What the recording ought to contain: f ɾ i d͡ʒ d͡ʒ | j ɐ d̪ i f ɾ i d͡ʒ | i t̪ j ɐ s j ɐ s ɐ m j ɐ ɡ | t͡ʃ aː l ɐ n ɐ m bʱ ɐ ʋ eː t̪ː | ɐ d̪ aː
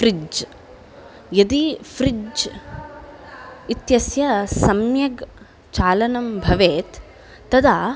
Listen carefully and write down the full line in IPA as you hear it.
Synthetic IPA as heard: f ɾ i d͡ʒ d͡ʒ | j ɐ d̪ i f ɾ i d͡ʒ | i t̪ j ɐ s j ɐ s ɐ m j ɐ ɡ | t͡ʃ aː l ɐ n ɐ m bʱ ɐ ʋ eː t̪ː | ɐ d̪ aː

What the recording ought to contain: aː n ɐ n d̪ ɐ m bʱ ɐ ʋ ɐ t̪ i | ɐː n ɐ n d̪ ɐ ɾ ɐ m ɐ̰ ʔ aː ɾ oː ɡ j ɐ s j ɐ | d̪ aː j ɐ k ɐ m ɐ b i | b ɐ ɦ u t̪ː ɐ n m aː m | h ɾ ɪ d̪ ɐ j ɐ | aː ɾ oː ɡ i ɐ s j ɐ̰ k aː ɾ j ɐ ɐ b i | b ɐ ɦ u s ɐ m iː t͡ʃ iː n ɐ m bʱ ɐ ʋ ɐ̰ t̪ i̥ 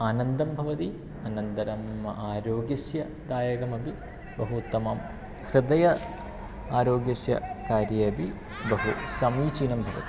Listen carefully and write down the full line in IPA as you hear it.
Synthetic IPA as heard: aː n ɐ n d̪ ɐ m bʱ ɐ ʋ ɐ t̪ i | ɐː n ɐ n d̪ ɐ ɾ ɐ m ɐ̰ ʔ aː ɾ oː ɡ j ɐ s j ɐ | d̪ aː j ɐ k ɐ m ɐ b i | b ɐ ɦ u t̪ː ɐ m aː m | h ɾ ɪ d̪ ɐ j ɐ | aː ɾ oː ɡ j ɐ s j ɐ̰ k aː ɾ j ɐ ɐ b i | b ɐ ɦ u s ɐ m iː t͡ʃ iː n ɐ m bʱ ɐ ʋ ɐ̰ t̪ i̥

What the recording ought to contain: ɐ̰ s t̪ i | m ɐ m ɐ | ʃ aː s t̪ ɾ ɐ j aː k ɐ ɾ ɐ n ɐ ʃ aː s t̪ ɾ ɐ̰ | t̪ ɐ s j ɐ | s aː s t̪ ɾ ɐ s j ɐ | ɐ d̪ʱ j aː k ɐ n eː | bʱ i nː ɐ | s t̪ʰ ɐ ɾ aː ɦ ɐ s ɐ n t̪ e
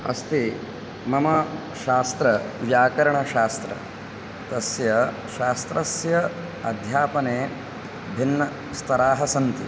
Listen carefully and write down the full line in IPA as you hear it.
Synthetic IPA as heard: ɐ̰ s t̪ i | m ɐ m ɐ | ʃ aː s t̪ ɾ ɐ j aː k ɐ ɾ ɐ ɳ ɐ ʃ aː s t̪ ɾ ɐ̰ | t̪ ɐ s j ɐ | ʃ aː s t̪ ɾ ɐ s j ɐ | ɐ d̪ʱ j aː p ɐ n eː | bʱ i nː ɐ | s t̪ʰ ɐ ɾ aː ɦ ɐ s ɐ n t̪ i

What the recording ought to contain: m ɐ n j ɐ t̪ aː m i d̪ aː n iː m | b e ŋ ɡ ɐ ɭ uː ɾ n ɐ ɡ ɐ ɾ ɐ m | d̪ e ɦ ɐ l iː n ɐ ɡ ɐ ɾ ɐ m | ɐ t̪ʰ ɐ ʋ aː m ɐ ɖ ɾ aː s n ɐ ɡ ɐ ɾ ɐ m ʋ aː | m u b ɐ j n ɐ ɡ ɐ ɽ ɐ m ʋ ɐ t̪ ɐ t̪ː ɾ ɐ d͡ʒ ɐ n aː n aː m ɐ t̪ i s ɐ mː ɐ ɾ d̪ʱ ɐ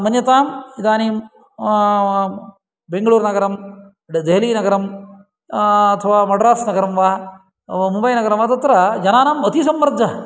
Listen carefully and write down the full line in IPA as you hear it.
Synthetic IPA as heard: m ɐ n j ɐ t̪ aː m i d̪ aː n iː m | b e ŋ ɡ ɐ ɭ uː ɾ n ɐ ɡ ɐ ɾ ɐ m | d̪ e ɦ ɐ l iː n ɐ ɡ ɐ ɾ ɐ m | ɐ t̪ʰ ɐ ʋ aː m ɐ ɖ ɾ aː s n ɐ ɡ ɐ ɾ ɐ m ʋ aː | m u b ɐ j n ɐ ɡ ɐ ɾ ɐ m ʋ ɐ t̪ ɐ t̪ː ɾ ɐ d͡ʒ ɐ n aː n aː m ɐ t̪ i s ɐ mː ɐ ɾ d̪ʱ ɐ

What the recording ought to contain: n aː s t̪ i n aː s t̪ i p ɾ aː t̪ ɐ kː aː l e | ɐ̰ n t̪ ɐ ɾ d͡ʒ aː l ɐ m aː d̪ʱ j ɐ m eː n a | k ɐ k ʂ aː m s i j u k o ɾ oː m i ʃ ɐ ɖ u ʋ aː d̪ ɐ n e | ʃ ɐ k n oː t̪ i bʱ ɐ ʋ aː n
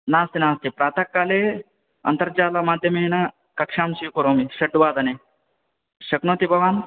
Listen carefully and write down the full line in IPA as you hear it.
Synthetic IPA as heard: n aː s t̪ i n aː s t̪ i p ɾ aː t̪ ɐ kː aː l e | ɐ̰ n t̪ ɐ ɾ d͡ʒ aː l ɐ m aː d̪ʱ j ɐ m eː n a | k ɐ k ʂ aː m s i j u k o ɾ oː m i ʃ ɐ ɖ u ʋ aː d̪ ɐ n e | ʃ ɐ k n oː t̪ i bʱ ɐ ʋ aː n

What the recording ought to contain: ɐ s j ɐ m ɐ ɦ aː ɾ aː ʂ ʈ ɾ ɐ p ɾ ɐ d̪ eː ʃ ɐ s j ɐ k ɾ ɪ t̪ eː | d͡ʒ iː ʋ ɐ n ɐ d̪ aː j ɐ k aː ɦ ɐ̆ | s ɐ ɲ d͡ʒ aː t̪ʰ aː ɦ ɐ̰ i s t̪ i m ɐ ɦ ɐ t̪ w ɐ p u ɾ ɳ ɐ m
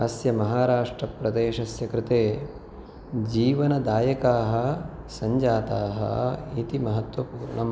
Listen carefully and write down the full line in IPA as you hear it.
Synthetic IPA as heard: ɐ s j ɐ m ɐ ɦ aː ɾ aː ʂ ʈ ɾ ɐ p ɾ ɐ d̪ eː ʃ ɐ s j ɐ k ɾ ɪ t̪ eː | d͡ʒ iː ʋ ɐ n ɐ d̪ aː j ɐ k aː ɦ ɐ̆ | s ɐ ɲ d͡ʒ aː t̪ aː ɦ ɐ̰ i t̪ i m ɐ ɦ ɐ t̪ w ɐ p uː ɾ ɳ ɐ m

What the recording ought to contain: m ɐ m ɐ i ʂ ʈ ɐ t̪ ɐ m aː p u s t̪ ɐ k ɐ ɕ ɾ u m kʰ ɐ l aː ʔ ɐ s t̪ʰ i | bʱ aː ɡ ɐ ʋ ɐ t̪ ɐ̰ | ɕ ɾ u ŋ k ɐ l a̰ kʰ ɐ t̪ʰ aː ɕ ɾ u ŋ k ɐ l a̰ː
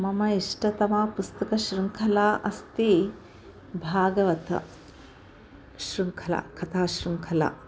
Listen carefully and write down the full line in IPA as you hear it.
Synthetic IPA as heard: m ɐ m ɐ i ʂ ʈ ɐ t̪ ɐ m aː p u s t̪ ɐ k ɐ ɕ ɾ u ŋ kʰ ɐ l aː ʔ ɐ s t̪ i | bʱ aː ɡ ɐ ʋ ɐ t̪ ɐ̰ | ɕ ɾ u ŋ kʰ ɐ l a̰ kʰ ɐ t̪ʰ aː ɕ ɾ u ŋ kʰ ɐ l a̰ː

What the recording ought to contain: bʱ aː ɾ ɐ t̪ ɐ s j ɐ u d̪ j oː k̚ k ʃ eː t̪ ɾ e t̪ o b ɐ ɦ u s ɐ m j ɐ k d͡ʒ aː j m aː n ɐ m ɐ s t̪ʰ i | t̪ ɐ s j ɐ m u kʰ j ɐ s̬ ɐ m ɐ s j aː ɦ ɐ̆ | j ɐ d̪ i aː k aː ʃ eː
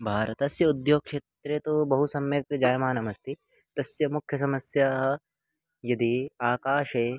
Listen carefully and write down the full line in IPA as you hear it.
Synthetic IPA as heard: bʱ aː ɾ ɐ t̪ ɐ s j ɐ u d̪ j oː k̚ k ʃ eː t̪ ɾ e t̪ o b ɐ ɦ u s ɐ m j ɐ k d͡ʒ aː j m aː n ɐ m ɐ s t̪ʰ i | t̪ ɐ s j ɐ m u kʰ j ɐ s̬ ɐ m ɐ s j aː ɦ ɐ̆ | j ɐ d̪ i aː k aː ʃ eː

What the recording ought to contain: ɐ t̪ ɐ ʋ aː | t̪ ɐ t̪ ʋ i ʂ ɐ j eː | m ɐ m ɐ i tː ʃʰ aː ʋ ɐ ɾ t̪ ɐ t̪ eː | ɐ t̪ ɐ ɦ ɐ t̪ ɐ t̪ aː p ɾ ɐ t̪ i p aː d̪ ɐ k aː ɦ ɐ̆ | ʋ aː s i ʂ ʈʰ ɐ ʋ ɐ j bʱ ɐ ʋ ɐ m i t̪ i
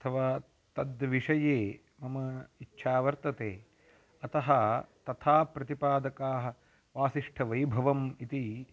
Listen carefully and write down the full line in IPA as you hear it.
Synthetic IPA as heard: ɐ t̪ʰ ɐ ʋ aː | t̪ ɐ d̪ ʋ i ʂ ɐ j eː | m ɐ m ɐ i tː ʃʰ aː ʋ ɐ ɾ t̪ ɐ t̪ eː | ɐ t̪ ɐ ɦ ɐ t̪ ɐ t̪ʰ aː p ɾ ɐ t̪ i p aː d̪ ɐ k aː ɦ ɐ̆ | ʋ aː s i ʂ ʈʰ ɐ ʋ ɐ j bʱ ɐ ʋ ɐ m i t̪ i

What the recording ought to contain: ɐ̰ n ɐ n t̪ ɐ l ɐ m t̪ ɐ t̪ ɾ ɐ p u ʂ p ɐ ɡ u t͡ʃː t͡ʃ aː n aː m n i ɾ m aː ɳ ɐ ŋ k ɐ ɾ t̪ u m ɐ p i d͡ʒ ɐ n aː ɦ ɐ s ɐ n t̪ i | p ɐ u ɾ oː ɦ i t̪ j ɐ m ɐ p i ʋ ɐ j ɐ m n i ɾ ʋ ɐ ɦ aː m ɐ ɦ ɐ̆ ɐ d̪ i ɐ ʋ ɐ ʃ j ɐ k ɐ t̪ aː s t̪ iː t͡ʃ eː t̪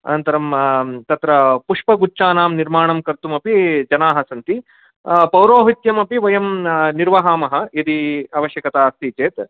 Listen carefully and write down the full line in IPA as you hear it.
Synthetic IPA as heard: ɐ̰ n ɐ n t̪ ɐ ɾ ɐ m t̪ ɐ t̪ ɾ ɐ p u ʂ p ɐ ɡ u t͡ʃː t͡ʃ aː n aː m n i ɾ m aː ɳ ɐ m k ɐ ɾ t̪ u m ɐ p i d͡ʒ ɐ n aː ɦ ɐ s ɐ n t̪ i | p ɐ w ɾ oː ɦ i t̪ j ɐ m ɐ p i ʋ ɐ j ɐ m n i ɾ ʋ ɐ ɦ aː m ɐ ɦ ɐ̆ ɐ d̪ i ɐ ʋ ɐ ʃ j ɐ k ɐ t̪ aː s t̪ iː t͡ʃ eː t̪

